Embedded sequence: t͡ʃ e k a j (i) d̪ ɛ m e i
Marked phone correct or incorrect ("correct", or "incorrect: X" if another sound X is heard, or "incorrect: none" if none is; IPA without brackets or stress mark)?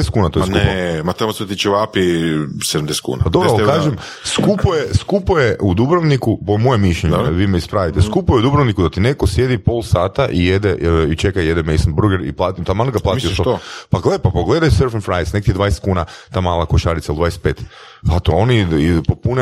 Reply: incorrect: e